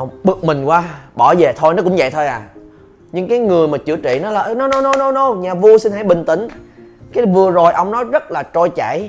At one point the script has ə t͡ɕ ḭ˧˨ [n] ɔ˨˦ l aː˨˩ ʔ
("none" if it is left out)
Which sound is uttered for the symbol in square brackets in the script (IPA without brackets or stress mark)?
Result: n